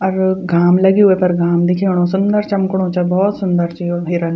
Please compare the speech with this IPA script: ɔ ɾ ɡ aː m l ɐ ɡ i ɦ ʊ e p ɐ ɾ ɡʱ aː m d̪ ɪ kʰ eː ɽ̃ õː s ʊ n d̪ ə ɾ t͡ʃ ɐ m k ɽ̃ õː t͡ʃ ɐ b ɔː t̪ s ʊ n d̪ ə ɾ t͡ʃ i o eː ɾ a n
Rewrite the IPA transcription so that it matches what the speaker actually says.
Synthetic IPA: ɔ ɾ ɡ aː m l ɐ ɡ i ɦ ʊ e p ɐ ɾ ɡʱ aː m d̪ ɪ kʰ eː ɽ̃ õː s ʊ n d̪ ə ɾ t͡ʃ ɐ m k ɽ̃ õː t͡ʃ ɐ b ɔː t̪ s ʊ n d̪ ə ɾ t͡ʃ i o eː ɾ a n